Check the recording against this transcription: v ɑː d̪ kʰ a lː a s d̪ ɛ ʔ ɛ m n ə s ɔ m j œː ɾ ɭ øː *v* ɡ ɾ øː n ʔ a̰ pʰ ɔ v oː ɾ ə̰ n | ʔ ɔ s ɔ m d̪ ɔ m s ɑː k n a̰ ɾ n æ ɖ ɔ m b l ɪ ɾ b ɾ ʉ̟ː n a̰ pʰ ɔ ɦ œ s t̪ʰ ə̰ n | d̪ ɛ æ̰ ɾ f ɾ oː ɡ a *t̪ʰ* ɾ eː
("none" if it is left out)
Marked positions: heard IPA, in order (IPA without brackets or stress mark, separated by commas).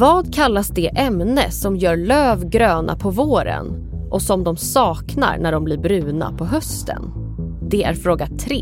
v, t̪ʰ